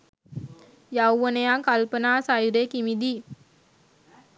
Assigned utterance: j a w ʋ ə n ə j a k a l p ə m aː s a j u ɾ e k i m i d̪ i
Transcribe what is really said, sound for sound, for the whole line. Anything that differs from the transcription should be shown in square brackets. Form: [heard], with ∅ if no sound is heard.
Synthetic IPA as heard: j a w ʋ ə n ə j a k a l p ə [n] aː s a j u ɾ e k i m i d̪ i